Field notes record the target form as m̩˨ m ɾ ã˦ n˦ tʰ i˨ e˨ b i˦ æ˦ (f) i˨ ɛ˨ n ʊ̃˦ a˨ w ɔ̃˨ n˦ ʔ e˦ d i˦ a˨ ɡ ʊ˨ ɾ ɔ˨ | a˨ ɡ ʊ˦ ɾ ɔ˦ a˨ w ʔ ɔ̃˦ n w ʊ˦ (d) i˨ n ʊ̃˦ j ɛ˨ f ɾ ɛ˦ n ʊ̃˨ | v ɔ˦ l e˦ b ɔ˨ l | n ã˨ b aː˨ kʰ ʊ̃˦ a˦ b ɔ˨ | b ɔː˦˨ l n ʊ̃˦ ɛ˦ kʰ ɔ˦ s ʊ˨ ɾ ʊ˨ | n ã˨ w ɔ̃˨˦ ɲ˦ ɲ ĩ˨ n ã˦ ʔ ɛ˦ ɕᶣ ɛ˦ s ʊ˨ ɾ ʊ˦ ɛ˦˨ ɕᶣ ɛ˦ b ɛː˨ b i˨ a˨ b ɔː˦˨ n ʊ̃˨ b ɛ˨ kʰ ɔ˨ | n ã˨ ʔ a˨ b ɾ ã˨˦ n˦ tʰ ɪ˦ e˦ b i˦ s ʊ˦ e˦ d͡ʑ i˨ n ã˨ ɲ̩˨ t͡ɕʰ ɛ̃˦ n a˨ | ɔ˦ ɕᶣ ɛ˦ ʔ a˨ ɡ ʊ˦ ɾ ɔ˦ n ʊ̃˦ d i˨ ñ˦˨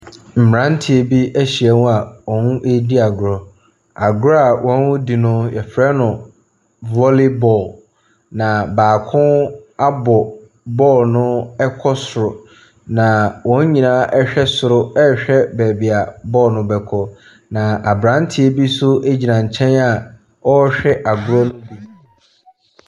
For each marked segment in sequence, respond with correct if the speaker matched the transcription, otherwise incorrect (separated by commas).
incorrect, correct